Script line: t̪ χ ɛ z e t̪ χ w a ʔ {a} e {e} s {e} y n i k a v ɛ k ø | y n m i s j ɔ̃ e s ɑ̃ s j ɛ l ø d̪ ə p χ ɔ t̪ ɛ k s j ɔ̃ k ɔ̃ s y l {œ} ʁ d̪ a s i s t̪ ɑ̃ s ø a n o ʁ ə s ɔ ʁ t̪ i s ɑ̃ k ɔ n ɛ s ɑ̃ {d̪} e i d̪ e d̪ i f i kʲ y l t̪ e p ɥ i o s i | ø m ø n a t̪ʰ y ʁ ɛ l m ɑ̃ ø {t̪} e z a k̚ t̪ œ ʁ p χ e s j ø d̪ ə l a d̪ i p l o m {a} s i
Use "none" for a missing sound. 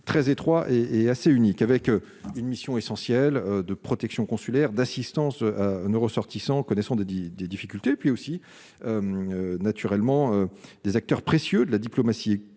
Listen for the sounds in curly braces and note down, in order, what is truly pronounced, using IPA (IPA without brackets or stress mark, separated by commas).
e, a, e, ɛ, d̪, d̪, a